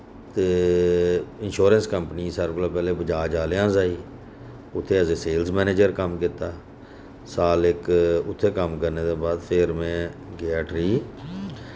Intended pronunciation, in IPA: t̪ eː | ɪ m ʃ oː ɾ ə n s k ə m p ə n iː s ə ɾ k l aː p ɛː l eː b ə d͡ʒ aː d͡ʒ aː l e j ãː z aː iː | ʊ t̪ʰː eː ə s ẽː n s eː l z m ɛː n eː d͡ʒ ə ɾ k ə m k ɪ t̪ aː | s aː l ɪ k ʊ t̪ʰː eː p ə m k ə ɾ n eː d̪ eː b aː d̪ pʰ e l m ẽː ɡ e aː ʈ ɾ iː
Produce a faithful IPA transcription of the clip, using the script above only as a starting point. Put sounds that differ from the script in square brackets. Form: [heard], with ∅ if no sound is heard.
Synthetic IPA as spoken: t̪ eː | ɪ [n] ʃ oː ɾ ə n s k ə m p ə n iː s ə ɾ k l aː p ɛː l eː b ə d͡ʒ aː d͡ʒ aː l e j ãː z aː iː | ʊ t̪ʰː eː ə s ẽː [∅] s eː l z m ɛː n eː d͡ʒ ə ɾ k ə m k ɪ t̪ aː | s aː l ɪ k ʊ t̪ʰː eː [k] ə m k ə ɾ n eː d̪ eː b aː d̪ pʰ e [ɾ] m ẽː ɡ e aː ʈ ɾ iː